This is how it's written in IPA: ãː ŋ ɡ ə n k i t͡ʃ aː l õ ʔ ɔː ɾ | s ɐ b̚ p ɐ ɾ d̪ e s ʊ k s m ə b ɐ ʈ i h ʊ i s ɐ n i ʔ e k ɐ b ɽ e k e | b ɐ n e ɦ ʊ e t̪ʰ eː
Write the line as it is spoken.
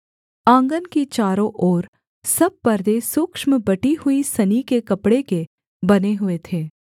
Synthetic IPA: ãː ŋ ɡ ə n k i t͡ʃ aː ɾ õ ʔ ɔː ɾ | s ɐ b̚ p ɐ ɾ d̪ e s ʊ k ʃ m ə b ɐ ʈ i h ʊ i s ɐ n i k e k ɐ p ɽ e k e | b ɐ n e ɦ ʊ e t̪ʰ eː